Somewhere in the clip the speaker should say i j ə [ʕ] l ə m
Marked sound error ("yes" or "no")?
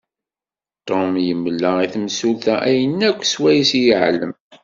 no